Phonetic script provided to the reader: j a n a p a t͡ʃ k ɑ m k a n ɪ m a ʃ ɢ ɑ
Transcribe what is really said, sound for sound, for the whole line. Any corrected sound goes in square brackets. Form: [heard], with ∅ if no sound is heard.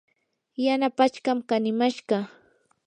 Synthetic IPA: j a n a p a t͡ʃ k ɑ m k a n ɪ m a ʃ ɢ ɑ